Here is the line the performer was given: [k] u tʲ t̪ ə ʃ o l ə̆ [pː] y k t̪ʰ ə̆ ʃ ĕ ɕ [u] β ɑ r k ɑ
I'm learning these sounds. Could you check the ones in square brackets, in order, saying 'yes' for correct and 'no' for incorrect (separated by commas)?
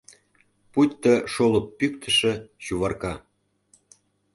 no, yes, yes